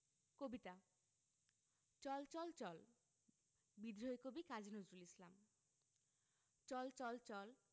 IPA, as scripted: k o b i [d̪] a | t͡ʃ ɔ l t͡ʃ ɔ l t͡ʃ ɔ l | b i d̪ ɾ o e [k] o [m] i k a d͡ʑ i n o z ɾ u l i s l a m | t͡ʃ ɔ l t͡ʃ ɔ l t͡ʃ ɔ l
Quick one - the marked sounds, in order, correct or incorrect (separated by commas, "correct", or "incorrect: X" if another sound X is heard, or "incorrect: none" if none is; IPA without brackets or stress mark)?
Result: incorrect: t̪, correct, incorrect: b